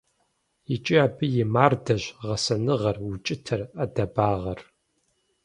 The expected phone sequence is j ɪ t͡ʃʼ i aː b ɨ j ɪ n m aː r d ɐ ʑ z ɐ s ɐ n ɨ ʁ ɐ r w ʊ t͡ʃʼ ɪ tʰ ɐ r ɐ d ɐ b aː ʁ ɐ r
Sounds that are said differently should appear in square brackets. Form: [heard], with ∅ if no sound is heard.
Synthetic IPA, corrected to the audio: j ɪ t͡ʃʼ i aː b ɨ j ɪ [∅] m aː r d ɐ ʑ [ʁ] ɐ s ɐ n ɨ ʁ ɐ r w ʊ t͡ʃʼ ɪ tʰ ɐ r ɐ d ɐ b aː ʁ ɐ r